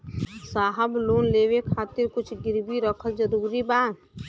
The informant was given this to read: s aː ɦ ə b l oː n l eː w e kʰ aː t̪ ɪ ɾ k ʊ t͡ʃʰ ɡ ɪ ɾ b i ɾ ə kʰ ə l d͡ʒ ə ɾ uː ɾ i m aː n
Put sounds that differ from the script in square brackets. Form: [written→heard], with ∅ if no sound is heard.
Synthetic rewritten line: s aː ɦ ə b l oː n l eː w e kʰ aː t̪ ɪ ɾ k ʊ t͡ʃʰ ɡ ɪ ɾ b i ɾ ə kʰ ə l d͡ʒ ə ɾ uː ɾ i [m→b] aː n